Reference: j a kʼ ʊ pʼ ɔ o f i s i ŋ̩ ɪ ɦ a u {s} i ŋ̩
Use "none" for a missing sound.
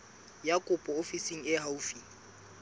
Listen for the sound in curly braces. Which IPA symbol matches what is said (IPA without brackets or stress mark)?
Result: f